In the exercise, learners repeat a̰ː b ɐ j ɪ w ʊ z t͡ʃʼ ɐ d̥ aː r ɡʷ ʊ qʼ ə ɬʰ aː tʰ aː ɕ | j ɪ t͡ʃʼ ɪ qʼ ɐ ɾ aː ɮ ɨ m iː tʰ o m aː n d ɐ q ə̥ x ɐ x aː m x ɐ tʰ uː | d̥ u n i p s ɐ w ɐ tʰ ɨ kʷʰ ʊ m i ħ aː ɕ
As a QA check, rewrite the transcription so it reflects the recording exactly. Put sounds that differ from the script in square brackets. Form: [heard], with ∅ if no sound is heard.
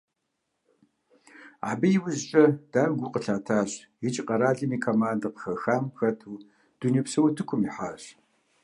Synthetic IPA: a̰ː b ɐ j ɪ w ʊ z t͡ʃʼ ɐ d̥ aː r ɡʷ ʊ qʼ ə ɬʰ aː tʰ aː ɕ | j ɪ t͡ʃʼ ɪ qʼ ɐ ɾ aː ɮ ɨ m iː [kʰ] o m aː n d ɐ q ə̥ x ɐ x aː m x ɐ tʰ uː | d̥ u n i p s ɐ w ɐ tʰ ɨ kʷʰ ʊ m i ħ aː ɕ

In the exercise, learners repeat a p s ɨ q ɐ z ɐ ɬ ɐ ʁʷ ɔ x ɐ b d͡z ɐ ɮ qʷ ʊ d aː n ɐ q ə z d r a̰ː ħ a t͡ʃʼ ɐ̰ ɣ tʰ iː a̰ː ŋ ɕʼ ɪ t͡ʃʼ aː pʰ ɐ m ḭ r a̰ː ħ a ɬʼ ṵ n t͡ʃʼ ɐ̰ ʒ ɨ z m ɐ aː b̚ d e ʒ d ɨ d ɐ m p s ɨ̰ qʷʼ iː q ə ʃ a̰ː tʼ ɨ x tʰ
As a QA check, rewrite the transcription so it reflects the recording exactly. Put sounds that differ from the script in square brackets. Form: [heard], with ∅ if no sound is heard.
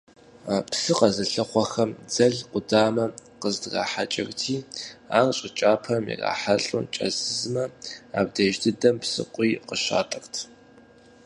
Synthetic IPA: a p s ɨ q ɐ z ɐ ɬ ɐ [χʷ] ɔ x ɐ [m] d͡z ɐ ɮ qʷ ʊ d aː [m] ɐ q ə z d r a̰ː ħ a t͡ʃʼ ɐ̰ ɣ tʰ iː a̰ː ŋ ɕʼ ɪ t͡ʃʼ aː pʰ ɐ m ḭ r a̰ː ħ a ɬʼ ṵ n t͡ʃʼ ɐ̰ [z] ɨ z m ɐ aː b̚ d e ʒ d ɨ d ɐ m p s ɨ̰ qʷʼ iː q ə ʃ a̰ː tʼ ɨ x tʰ

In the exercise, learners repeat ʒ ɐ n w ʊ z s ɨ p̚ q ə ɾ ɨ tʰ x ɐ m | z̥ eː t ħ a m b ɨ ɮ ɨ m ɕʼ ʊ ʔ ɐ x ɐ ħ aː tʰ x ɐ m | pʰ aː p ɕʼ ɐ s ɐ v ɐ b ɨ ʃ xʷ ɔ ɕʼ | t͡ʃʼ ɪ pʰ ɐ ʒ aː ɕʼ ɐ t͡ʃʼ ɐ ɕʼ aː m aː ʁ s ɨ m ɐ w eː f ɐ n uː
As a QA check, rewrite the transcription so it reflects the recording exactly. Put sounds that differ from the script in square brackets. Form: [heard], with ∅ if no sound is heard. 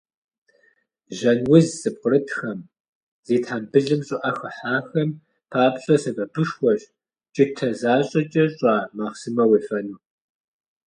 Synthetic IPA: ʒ ɐ n w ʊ z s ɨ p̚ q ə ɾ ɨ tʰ x ɐ m | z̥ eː t ħ a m b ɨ ɮ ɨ m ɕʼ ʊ ʔ ɐ x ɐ ħ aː [∅] x ɐ m | pʰ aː p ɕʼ ɐ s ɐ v ɐ b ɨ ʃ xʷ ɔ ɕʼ | t͡ʃʼ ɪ [tʰ] ɐ [z] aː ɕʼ ɐ t͡ʃʼ ɐ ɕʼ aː m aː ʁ s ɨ m ɐ w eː f ɐ n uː

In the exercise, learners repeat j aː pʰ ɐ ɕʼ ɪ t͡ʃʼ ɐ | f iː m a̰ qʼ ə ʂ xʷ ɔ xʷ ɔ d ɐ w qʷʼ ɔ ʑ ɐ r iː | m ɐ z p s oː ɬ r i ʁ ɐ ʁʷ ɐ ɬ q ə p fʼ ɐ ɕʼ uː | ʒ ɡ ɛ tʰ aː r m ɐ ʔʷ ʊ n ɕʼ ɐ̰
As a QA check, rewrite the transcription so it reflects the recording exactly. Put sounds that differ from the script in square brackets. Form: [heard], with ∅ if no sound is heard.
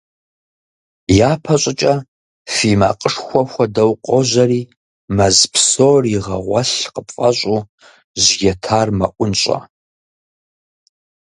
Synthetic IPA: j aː pʰ ɐ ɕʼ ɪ t͡ʃʼ ɐ | f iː m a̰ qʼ ə ʂ xʷ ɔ xʷ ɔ d ɐ w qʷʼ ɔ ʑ ɐ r iː | m ɐ z p s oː [∅] r i ʁ ɐ ʁʷ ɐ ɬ q ə p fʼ ɐ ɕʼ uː | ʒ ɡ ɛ tʰ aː r m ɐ ʔʷ ʊ n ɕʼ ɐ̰

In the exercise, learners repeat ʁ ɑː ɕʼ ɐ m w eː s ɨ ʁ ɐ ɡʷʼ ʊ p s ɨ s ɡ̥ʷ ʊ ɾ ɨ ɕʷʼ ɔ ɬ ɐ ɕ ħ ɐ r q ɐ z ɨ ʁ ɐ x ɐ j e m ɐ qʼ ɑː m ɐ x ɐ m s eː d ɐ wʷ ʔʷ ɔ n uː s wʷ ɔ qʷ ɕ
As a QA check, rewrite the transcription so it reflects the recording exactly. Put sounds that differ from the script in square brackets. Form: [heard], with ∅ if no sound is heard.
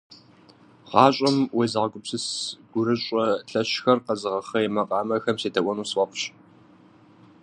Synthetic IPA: ʁ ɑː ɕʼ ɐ m w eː [z] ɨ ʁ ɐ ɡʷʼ ʊ p s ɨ s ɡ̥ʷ ʊ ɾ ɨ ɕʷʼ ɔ ɬ ɐ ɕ [x] ɐ r q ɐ z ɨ ʁ ɐ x ɐ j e m ɐ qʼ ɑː m ɐ x ɐ m s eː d ɐ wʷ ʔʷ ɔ n uː s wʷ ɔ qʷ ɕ

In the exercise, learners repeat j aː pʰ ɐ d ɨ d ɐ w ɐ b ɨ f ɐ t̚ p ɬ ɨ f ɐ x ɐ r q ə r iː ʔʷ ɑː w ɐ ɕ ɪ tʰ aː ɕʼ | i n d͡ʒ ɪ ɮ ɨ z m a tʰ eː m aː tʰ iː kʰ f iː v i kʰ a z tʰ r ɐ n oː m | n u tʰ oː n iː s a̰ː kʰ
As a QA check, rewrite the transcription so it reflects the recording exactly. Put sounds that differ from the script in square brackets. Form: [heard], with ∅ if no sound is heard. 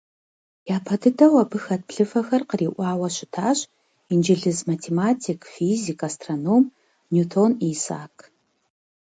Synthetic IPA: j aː pʰ ɐ d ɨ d ɐ w ɐ b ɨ [x] ɐ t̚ p ɬ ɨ f ɐ x ɐ r q ə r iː ʔʷ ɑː w ɐ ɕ ɪ tʰ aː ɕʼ | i n d͡ʒ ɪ ɮ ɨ z m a tʰ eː m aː tʰ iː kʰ f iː [z] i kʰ a [s] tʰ r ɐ n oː m | n u tʰ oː n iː s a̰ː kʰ

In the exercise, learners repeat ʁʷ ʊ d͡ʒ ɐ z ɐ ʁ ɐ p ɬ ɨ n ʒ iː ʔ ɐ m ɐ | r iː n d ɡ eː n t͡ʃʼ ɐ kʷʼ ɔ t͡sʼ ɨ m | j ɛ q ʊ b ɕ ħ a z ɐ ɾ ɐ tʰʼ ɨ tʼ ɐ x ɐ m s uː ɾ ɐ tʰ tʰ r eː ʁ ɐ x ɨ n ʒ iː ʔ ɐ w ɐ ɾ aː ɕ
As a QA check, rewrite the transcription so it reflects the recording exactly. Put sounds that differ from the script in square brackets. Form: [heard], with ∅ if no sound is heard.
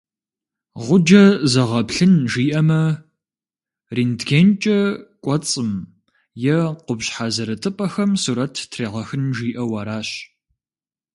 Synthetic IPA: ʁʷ ʊ d͡ʒ ɐ z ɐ ʁ ɐ p ɬ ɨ n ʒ iː ʔ ɐ m ɐ | r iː n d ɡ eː n t͡ʃʼ ɐ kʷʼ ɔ t͡sʼ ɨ m | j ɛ q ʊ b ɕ ħ a z ɐ ɾ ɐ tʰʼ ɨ [pʼ] ɐ x ɐ m s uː ɾ ɐ tʰ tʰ r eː ʁ ɐ x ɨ n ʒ iː ʔ ɐ w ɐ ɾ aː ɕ

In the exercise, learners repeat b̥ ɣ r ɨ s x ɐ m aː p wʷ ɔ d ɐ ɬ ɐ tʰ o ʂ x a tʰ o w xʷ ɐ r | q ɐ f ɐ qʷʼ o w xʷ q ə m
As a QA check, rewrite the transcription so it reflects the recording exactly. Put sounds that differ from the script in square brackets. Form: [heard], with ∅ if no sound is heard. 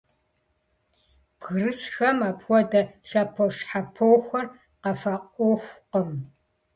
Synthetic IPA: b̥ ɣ r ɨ s x ɐ m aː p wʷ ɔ d ɐ ɬ ɐ [pʰ] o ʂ [ħ] a [pʰ] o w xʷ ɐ r | q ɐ f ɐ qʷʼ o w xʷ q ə m

